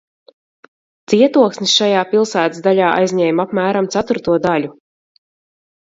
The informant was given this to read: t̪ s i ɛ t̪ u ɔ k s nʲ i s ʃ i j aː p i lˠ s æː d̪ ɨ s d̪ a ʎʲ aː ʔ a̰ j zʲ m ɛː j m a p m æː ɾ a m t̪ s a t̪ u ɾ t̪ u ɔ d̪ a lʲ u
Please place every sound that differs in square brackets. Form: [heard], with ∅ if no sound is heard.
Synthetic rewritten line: t̪ s i ɛ t̪ u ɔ k s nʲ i s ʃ [a] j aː p i lˠ s æː [t̪] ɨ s d̪ a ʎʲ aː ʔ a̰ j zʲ [ɲ] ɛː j m a p m æː ɾ a m t̪ s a t̪ u ɾ t̪ u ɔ d̪ a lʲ u